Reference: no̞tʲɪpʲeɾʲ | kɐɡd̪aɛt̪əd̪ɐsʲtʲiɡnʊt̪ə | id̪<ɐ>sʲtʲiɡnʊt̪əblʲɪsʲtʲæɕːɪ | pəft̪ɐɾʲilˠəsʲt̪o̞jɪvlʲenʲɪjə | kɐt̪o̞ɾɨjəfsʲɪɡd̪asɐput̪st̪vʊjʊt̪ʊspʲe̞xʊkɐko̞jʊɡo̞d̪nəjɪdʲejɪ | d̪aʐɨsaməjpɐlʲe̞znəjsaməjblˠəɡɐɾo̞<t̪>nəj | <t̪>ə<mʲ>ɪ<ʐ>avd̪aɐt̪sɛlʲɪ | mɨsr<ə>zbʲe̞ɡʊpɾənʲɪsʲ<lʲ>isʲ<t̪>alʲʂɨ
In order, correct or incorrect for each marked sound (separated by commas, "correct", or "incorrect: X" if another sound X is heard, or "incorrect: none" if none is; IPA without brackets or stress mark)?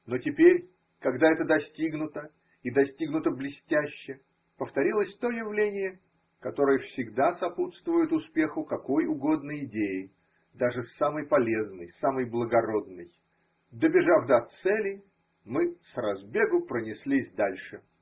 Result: correct, incorrect: d̪, incorrect: d̪, incorrect: bʲ, correct, incorrect: ɐ, correct, incorrect: d̪